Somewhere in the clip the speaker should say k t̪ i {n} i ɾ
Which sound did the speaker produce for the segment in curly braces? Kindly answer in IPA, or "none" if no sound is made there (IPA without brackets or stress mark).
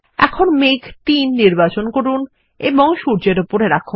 nː